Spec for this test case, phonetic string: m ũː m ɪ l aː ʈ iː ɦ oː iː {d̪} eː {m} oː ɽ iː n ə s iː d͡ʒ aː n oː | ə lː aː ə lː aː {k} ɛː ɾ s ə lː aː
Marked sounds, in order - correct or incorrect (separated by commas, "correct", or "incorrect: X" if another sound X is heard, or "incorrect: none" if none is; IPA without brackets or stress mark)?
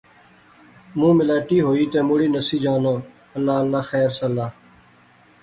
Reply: incorrect: t̪, correct, incorrect: x